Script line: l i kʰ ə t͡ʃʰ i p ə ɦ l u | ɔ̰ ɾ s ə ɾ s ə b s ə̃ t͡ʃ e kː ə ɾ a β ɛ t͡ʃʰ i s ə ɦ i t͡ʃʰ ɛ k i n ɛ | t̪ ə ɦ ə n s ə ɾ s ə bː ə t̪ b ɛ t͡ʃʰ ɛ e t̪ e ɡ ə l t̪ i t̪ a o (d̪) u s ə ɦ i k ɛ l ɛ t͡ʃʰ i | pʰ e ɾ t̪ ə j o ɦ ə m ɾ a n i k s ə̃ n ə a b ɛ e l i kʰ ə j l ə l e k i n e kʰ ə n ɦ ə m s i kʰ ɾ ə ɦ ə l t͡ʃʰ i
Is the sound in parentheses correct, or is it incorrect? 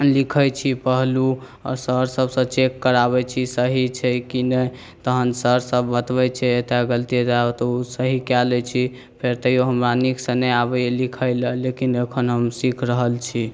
incorrect